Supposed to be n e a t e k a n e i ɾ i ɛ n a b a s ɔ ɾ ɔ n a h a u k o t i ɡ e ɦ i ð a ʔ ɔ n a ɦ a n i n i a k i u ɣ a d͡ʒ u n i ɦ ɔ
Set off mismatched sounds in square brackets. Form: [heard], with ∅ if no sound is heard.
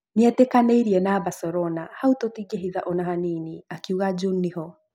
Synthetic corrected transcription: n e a t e k a n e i ɾ i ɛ n a b a s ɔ ɾ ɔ n a h a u [t] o t i ɡ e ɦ i ð a ʔ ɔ n a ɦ a n i n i a k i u ɣ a d͡ʒ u n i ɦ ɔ